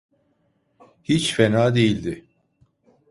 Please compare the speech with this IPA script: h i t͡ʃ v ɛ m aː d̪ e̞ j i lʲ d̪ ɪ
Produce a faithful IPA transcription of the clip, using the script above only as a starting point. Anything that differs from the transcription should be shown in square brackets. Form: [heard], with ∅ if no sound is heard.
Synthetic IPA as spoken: h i t͡ʃ [f] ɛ [n] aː d̪ e̞ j i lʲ d̪ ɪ